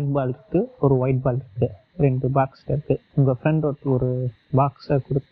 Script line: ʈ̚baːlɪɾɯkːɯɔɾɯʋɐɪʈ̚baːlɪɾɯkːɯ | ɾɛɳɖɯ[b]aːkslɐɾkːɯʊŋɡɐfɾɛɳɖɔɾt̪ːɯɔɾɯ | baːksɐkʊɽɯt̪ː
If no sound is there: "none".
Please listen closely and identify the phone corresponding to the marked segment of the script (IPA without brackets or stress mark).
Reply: b